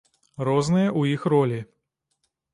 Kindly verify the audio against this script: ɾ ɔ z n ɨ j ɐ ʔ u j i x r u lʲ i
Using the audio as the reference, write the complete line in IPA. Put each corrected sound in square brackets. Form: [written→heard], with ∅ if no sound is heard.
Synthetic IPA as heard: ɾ ɔ z n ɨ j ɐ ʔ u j i x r [u→ɔ] lʲ i